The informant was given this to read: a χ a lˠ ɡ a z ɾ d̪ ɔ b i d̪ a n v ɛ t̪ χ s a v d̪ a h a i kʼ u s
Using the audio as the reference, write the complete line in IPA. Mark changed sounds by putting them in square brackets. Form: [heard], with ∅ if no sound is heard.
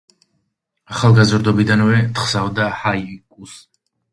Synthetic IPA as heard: a χ a lˠ ɡ a z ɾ d̪ ɔ b i d̪ a n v ɛ t̪ χ s a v d̪ a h a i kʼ u s